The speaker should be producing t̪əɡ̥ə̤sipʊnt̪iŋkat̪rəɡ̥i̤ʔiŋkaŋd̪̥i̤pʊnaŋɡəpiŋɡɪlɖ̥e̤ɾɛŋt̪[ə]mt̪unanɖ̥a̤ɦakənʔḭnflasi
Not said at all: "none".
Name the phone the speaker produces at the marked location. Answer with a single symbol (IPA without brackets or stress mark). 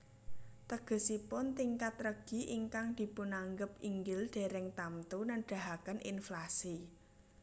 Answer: a